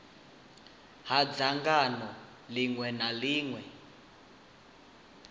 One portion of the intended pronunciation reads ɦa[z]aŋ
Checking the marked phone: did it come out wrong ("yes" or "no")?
yes